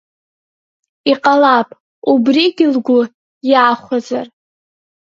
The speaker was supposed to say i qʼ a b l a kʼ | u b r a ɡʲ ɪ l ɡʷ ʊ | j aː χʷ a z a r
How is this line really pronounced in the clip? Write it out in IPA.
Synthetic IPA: i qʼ a l a pʼ | u b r i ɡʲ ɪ l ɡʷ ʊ | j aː χʷ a z a r